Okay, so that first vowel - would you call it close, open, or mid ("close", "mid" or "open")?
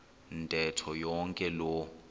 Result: mid